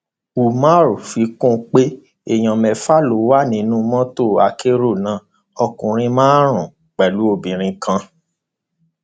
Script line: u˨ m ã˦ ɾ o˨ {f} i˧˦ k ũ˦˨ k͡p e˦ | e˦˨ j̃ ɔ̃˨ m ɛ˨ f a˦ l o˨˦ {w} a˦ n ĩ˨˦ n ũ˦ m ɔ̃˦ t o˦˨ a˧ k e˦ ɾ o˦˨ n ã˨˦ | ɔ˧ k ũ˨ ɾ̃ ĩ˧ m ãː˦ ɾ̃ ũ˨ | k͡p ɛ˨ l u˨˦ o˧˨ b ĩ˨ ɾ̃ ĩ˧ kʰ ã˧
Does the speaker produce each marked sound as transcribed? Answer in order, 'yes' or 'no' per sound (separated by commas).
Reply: yes, yes